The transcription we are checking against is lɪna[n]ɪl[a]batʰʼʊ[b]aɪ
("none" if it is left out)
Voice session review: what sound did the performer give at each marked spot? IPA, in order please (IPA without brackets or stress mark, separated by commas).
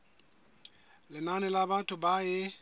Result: n, a, b